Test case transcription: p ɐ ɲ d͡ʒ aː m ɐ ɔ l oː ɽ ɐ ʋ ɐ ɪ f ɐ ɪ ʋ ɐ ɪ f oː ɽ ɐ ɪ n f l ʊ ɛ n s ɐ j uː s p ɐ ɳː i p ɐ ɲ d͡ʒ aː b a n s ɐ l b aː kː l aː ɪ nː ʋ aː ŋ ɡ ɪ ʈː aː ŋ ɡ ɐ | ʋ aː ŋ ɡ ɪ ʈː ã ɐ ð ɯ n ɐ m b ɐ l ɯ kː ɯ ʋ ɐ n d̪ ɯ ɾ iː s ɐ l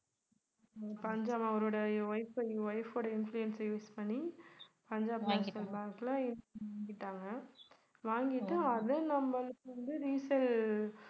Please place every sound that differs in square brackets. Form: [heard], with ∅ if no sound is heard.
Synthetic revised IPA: p ɐ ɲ d͡ʒ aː m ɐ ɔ [ɾ] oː ɽ ɐ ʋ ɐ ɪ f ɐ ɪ ʋ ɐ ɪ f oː ɽ ɐ ɪ n f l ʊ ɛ n s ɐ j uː s p ɐ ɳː i p ɐ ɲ d͡ʒ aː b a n s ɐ l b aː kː l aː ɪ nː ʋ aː ŋ ɡ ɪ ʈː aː ŋ ɡ ɐ | ʋ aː ŋ ɡ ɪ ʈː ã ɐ ð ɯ n ɐ m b ɐ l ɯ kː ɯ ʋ ɐ n d̪ ɯ ɾ iː s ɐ l